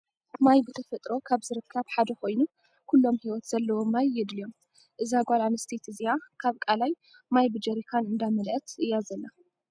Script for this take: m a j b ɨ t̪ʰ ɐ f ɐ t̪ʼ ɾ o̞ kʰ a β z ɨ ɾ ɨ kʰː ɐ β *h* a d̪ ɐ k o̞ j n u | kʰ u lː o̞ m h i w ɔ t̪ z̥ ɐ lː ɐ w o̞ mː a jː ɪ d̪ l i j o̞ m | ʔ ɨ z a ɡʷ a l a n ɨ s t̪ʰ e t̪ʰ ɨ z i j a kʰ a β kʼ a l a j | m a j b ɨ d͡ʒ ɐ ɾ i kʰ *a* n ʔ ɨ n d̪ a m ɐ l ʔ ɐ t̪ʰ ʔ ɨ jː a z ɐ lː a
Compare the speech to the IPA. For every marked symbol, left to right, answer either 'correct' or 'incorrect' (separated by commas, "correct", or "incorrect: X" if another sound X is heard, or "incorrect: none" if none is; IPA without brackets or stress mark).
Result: incorrect: ħ, correct